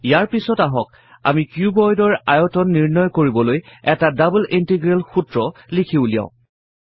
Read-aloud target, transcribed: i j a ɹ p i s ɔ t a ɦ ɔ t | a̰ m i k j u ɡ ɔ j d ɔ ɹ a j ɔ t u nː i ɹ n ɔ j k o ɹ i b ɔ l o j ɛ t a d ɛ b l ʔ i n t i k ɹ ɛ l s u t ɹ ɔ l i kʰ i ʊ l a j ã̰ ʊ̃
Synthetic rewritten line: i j a ɹ p i s ɔ t a ɦ ɔ k | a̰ m i k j u b ɔ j d ɔ ɹ a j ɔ t ɔ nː i ɹ n ɔ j k o ɹ i b ɔ l o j ɛ t a d a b l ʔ i n t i ɡ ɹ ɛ l x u t ɹ ɔ l i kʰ i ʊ l i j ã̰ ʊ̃